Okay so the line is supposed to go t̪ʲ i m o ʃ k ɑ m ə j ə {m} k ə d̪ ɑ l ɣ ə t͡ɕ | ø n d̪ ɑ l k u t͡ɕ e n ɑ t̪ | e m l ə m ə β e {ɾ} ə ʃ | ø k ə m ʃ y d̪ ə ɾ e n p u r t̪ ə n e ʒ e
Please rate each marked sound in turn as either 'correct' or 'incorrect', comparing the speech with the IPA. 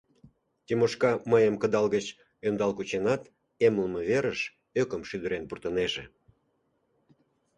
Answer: correct, correct

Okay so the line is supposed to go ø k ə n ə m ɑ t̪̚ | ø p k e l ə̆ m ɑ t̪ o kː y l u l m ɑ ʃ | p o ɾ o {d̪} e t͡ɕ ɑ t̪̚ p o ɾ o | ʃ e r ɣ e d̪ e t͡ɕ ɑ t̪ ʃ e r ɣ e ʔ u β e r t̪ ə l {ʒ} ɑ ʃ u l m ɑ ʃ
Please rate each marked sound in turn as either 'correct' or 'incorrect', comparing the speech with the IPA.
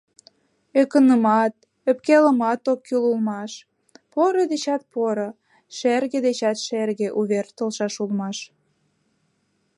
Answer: correct, incorrect

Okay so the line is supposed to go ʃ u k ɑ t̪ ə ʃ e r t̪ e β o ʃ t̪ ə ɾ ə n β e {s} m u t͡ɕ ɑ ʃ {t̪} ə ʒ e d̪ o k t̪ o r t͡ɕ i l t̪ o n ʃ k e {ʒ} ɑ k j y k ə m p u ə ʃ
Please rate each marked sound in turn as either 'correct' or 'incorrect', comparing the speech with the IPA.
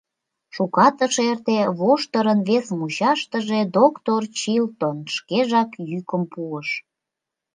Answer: correct, correct, correct

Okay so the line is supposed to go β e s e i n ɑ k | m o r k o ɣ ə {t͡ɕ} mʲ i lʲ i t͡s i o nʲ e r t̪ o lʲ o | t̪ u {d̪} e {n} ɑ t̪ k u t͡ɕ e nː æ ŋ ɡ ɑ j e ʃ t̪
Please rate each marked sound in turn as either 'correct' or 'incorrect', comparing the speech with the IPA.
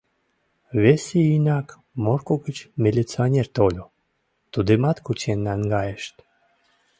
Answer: correct, correct, incorrect

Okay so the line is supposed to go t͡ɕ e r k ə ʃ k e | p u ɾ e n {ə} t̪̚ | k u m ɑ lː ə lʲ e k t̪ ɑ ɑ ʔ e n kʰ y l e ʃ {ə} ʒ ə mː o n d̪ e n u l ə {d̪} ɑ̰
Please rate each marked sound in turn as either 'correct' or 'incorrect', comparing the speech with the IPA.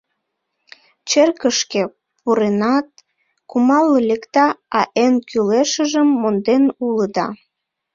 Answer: incorrect, correct, correct

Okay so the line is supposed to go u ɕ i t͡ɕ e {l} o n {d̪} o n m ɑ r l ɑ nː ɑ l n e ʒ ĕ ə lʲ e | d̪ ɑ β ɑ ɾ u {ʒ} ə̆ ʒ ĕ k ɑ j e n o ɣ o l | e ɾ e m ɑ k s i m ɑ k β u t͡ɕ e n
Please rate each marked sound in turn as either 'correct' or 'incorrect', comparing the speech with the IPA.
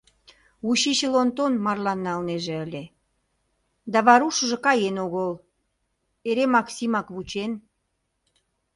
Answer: correct, incorrect, incorrect

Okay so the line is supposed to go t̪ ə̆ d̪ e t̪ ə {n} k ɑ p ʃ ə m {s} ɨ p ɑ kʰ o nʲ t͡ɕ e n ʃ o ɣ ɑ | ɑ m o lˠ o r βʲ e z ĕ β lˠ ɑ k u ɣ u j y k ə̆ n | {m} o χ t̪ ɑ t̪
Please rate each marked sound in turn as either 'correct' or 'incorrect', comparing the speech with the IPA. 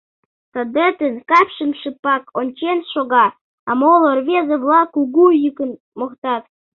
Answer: correct, incorrect, correct

